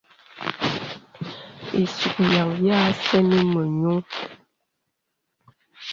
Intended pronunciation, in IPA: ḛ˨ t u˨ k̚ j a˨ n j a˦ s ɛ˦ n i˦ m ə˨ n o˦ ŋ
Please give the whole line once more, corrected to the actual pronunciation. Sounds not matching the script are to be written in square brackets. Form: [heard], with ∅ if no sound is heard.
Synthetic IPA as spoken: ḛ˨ [s] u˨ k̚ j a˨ [ŋ] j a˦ s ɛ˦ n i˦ m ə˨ [ɲ] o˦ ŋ